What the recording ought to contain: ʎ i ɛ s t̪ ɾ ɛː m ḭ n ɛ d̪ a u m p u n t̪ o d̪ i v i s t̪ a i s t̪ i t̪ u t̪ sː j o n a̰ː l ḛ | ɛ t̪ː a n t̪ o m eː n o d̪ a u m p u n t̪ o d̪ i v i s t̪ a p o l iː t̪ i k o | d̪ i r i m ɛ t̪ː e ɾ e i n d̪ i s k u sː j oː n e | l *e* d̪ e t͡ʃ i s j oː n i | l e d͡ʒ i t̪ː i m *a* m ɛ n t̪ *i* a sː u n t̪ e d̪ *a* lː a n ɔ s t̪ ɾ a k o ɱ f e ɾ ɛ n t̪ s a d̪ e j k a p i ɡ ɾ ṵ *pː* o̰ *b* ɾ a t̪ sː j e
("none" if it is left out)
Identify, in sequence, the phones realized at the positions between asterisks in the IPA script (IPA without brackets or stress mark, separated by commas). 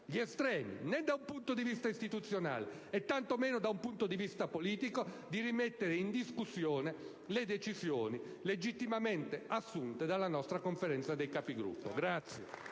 e, a, e, a, pː, ɡ